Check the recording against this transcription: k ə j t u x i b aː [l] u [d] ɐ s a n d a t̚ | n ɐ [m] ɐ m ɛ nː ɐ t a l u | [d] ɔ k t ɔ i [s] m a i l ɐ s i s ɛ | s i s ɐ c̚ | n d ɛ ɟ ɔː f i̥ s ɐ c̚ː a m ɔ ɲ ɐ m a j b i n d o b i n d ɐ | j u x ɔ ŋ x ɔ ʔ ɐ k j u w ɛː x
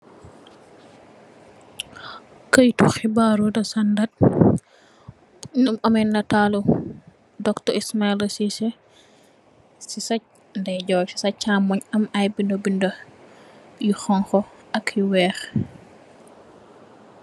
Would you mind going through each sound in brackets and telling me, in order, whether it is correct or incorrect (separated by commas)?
incorrect, correct, correct, correct, correct